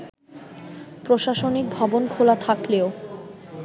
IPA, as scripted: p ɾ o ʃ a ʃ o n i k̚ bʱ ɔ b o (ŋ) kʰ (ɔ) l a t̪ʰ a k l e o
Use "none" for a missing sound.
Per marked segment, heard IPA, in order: n, o

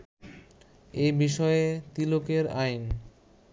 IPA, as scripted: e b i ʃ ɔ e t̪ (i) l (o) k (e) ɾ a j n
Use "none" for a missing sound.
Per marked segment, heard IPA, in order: i, o, e

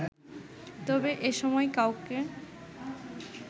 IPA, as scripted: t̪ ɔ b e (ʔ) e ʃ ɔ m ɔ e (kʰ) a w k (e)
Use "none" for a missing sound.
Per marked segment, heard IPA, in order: ʔ, k, e

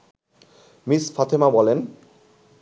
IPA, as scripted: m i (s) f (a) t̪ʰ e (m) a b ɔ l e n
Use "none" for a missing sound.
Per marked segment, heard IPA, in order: s, a, m

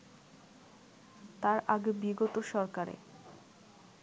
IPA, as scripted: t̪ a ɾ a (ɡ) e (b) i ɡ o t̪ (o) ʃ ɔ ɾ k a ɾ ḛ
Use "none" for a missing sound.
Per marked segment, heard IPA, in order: ɡ, b, o

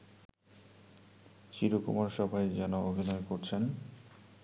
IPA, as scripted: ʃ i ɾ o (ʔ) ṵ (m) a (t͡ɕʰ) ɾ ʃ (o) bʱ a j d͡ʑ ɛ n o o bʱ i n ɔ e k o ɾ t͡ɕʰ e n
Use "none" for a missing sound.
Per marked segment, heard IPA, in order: k, m, none, ɔ

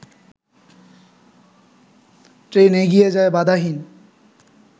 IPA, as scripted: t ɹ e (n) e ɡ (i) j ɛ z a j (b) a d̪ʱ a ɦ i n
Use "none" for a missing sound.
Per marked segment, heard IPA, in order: n, i, b

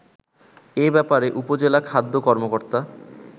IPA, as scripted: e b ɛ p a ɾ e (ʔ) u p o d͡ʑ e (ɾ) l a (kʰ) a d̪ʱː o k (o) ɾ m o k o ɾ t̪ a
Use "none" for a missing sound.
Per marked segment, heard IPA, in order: ʔ, none, kʰ, ɔ

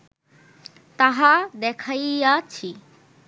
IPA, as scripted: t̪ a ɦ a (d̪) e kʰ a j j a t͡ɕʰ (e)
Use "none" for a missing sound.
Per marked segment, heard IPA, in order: d̪, i

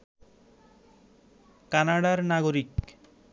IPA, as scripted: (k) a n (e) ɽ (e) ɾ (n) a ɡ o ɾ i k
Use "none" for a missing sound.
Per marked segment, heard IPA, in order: k, a, a, n

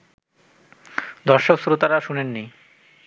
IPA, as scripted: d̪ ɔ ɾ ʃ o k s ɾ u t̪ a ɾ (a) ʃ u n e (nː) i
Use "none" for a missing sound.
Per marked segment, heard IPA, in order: a, nː

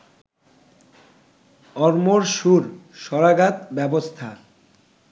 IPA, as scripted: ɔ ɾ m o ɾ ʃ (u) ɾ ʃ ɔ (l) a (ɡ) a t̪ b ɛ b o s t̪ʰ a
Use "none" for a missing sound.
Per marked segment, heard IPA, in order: u, ɾ, ɡ

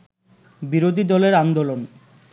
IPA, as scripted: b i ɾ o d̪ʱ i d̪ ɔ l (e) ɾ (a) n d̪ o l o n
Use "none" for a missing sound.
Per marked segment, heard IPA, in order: e, a

